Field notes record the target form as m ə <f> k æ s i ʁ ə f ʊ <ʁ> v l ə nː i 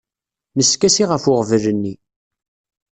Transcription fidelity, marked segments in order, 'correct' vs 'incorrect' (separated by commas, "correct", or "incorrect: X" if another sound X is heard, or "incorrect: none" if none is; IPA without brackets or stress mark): incorrect: s, correct